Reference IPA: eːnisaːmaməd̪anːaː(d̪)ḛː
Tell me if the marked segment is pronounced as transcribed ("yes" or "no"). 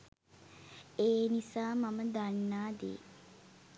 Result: yes